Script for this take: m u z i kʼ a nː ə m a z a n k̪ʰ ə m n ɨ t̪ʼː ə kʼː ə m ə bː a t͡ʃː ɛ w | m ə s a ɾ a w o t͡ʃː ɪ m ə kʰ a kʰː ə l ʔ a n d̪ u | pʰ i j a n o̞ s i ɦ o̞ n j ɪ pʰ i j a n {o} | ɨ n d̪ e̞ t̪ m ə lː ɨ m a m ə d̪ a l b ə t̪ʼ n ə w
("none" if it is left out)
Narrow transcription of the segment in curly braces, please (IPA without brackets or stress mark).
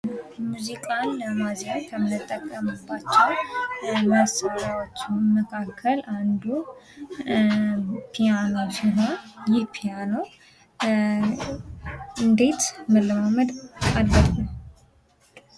o